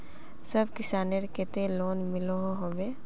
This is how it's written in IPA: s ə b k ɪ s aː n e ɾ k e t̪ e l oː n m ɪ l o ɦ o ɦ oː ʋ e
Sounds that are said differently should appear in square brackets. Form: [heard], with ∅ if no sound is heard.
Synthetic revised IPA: s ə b k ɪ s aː n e ɾ k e t̪ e l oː n m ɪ l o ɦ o ɦ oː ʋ e